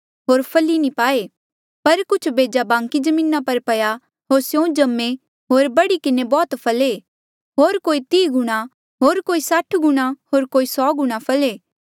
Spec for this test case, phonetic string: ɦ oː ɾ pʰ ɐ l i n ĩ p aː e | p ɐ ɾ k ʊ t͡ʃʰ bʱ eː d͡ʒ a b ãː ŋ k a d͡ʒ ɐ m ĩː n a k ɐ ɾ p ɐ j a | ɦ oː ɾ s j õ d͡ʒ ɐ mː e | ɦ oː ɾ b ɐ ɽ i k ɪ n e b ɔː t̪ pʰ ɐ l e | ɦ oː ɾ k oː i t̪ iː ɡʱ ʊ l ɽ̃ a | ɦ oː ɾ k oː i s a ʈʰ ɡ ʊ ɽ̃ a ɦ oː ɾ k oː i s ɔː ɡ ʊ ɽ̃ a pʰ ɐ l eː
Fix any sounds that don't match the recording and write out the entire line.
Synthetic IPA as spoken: ɦ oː ɾ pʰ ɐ l i n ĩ p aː e | p ɐ ɾ k ʊ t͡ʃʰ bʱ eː d͡ʒ a b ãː ŋ k i d͡ʒ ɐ m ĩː n a p ɐ ɾ p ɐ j a | ɦ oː ɾ s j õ d͡ʒ ɐ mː e | ɦ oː ɾ b ɐ ɽ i k ɪ n e b ɔː t̪ pʰ ɐ l e | ɦ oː ɾ k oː i t̪ iː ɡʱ ʊ ɽ̃ a | ɦ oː ɾ k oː i s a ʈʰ ɡ ʊ ɽ̃ a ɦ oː ɾ k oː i s ɔː ɡ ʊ ɽ̃ a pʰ ɐ l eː

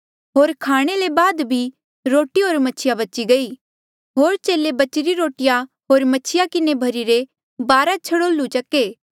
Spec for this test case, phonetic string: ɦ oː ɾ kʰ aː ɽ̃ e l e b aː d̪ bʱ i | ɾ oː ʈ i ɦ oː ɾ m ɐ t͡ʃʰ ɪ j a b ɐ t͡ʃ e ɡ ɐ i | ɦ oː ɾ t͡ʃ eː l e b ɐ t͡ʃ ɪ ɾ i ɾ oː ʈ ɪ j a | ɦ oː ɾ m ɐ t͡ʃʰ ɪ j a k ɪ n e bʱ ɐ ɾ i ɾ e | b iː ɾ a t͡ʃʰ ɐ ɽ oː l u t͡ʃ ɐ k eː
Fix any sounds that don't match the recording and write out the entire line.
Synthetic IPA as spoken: ɦ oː ɾ kʰ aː ɽ̃ e l e b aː d̪ bʱ i | ɾ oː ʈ i ɦ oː ɾ m ɐ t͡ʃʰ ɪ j a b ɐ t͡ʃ i ɡ ɐ i | ɦ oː ɾ t͡ʃ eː l e b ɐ t͡ʃ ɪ ɾ i ɾ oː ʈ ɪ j a | ɦ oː ɾ m ɐ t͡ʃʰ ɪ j a k ɪ n e bʱ ɐ ɾ i ɾ e | b aː ɾ a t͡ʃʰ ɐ ɽ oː l u t͡ʃ ɐ k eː

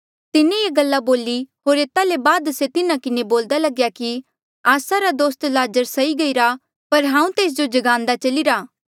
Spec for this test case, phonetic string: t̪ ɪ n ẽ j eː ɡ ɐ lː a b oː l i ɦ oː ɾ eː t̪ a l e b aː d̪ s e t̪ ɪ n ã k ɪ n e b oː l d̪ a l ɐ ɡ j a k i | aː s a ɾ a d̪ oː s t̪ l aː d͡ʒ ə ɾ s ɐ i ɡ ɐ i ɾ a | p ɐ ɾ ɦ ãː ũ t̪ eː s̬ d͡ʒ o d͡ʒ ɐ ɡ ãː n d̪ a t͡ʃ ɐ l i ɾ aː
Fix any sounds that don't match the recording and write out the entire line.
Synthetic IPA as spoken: t̪ ɪ n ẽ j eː ɡ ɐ lː a b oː l i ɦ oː ɾ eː t̪ a l e b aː d̪ s e t̪ ɪ n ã k ɪ n e b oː l d̪ a l ɐ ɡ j a k i | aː s a ɾ a d̪ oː s t̪ l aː d͡ʒ ə ɾ s ɐ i ɡ ɐ i ɾ a | p ɐ ɾ ɦ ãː ũ t̪ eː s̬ d͡ʒ o d͡ʒ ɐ ɡ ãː n d̪ a t͡ʃ ɐ l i ɾ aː

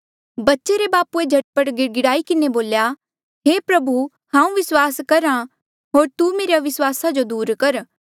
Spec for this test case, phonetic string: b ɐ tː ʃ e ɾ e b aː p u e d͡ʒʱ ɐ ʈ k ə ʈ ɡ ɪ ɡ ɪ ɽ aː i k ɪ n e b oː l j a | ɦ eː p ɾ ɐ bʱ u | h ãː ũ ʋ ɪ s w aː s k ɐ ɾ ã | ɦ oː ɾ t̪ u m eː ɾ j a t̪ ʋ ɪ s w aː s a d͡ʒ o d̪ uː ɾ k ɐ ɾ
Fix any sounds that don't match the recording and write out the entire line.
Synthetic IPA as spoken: b ɐ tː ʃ e ɾ e b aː p u e d͡ʒʱ ɐ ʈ p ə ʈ ɡ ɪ ɡ ɪ ɽ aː i k ɪ n e b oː l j a | ɦ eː p ɾ ɐ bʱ u | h ãː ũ ʋ ɪ s w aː s k ɐ ɾ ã | ɦ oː ɾ t̪ u m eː ɾ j a ʋ ɪ s w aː s a d͡ʒ o d̪ uː ɾ k ɐ ɾ

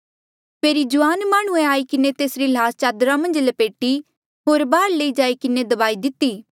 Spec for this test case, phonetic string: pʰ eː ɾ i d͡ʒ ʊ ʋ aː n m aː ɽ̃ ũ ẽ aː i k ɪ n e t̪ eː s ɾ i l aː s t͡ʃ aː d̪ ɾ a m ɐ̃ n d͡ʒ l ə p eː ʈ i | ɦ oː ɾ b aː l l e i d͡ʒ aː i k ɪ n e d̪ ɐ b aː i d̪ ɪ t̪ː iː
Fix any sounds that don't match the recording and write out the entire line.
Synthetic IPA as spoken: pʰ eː ɾ i d͡ʒ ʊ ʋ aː n m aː ɽ̃ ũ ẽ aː i k ɪ n e t̪ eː s ɾ i l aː s t͡ʃ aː d̪ ɾ a m ɐ̃ n d͡ʒ l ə p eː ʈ i | ɦ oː ɾ b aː ɾ l e i d͡ʒ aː i k ɪ n e d̪ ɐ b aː i d̪ ɪ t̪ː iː

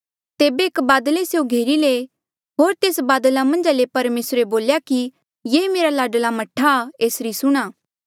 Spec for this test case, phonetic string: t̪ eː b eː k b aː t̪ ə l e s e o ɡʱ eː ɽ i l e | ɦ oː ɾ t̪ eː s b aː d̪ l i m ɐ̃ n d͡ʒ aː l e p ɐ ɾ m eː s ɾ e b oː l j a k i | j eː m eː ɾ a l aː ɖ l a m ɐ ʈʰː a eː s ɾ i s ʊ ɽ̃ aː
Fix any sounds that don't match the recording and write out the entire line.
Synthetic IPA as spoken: t̪ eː b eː k b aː d̪ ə l e s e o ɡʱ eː ɾ i l e | ɦ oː ɾ t̪ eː s b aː d̪ l a m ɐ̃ n d͡ʒ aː l e p ɐ ɾ m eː s ɾ e b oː l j a k i | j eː m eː ɾ a l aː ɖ l a m ɐ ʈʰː a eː s ɾ i s ʊ ɽ̃ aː

